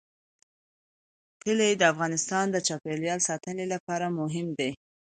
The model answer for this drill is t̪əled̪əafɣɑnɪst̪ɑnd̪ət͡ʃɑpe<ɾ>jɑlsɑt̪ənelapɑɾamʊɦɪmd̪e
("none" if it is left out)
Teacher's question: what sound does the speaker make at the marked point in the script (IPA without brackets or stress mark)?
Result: l